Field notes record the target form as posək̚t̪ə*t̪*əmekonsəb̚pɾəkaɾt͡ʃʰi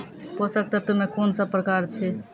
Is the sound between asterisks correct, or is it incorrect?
correct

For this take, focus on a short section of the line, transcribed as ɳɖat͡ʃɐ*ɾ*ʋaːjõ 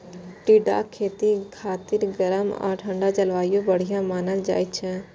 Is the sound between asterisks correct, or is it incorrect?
incorrect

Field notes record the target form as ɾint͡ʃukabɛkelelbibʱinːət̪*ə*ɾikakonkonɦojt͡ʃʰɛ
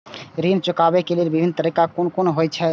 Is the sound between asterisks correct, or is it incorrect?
correct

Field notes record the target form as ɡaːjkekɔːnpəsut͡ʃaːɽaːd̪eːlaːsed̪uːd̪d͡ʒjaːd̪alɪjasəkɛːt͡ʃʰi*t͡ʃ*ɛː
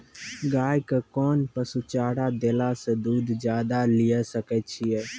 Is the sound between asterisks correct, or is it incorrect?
incorrect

